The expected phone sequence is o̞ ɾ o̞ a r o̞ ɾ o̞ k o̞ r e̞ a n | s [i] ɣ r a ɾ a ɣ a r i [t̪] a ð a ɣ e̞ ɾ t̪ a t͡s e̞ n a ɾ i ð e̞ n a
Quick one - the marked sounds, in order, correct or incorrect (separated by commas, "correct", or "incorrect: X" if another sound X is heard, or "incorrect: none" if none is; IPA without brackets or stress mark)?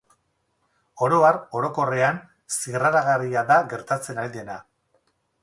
correct, incorrect: none